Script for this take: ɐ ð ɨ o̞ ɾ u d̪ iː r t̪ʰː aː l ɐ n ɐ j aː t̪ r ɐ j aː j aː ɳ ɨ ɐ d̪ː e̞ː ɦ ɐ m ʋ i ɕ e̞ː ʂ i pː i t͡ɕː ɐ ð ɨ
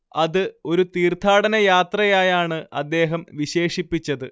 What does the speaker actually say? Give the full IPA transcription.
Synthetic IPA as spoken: ɐ ð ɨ o̞ ɾ u t̪ iː r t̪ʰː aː ɽ ɐ n ɐ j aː t̪ r ɐ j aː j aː ɳ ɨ ɐ d̪ː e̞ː ɦ ɐ m ʋ i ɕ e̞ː ʂ i pː i t͡ɕː ɐ ð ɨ